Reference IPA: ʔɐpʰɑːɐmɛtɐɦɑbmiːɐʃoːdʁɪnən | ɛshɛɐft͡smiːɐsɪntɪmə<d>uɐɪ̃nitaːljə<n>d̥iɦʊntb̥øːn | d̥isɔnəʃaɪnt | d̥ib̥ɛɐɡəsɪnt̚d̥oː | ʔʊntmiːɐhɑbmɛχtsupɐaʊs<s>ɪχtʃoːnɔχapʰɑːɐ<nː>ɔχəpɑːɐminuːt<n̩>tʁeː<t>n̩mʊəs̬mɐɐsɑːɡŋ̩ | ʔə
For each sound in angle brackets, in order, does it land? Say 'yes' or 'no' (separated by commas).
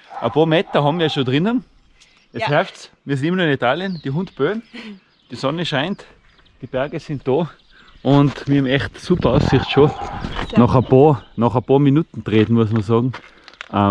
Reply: no, yes, yes, no, yes, yes